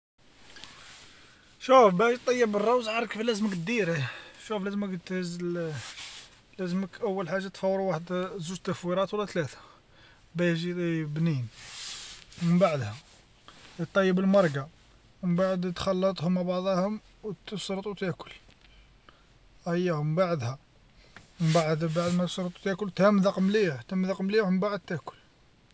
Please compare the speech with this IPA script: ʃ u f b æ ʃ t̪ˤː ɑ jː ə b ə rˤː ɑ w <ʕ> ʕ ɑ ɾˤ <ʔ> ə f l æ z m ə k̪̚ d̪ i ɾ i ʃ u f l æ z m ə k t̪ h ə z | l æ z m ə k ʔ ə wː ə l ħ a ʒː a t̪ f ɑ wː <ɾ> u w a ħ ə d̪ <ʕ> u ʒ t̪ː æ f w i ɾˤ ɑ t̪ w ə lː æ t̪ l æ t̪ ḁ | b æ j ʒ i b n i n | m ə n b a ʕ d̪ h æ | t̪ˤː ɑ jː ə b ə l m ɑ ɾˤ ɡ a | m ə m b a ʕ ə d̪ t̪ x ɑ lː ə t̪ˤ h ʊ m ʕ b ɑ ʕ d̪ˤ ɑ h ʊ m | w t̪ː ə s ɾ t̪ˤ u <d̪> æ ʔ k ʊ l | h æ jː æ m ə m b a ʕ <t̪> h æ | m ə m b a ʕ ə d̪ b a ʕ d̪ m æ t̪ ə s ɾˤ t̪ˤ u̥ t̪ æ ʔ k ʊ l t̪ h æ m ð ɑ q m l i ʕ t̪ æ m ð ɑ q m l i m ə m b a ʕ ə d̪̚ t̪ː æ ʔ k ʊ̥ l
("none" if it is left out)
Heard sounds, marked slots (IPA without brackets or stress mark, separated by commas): z, k, ɾ, z, t̪, d̪